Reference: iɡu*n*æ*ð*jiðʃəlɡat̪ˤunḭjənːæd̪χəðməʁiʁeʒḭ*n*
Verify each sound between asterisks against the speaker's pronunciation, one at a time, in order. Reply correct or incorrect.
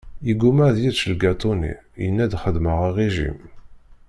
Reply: incorrect: m, correct, incorrect: m

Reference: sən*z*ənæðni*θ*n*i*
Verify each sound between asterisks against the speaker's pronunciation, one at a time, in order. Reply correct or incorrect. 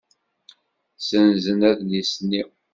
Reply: correct, incorrect: s, correct

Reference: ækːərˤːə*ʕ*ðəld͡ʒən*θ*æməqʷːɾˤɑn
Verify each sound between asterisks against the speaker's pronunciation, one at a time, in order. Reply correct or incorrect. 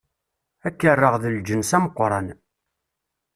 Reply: incorrect: ʁ, incorrect: s

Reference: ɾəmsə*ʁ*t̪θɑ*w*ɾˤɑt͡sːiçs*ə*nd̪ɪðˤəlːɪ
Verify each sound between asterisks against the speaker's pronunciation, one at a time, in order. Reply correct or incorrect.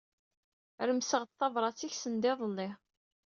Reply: correct, incorrect: v, correct

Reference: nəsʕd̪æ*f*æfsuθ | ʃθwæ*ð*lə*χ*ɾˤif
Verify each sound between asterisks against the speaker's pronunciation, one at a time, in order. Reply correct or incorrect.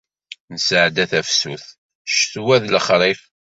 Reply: incorrect: θ, correct, correct

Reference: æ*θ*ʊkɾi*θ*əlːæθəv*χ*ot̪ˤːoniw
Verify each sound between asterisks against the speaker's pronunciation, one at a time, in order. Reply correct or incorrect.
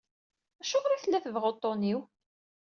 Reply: incorrect: ʃ, correct, incorrect: ʁ

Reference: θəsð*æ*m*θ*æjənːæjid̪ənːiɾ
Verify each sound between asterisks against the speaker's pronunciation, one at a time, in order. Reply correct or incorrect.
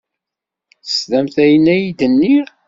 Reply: correct, correct

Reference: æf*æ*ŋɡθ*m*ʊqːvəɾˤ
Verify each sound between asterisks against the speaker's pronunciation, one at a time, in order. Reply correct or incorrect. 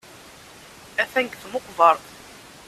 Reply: correct, correct

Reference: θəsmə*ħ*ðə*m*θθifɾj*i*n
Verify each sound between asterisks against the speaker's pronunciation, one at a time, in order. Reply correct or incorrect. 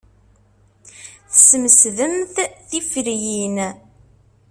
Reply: incorrect: s, correct, correct

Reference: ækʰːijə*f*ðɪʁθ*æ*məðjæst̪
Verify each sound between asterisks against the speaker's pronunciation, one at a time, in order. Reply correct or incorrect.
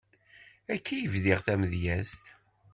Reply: incorrect: v, correct

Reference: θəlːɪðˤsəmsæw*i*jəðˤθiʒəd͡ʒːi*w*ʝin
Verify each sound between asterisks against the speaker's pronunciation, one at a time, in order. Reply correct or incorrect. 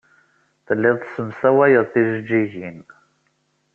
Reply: incorrect: æ, incorrect: none

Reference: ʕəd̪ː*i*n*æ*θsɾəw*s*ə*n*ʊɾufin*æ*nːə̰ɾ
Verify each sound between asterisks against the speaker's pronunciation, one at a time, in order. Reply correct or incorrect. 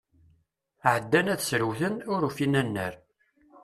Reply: incorrect: æ, correct, incorrect: θ, correct, correct

